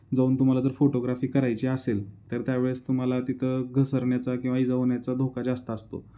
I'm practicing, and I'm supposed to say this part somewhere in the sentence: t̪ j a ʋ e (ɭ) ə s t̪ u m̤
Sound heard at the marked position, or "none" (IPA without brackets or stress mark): ɭ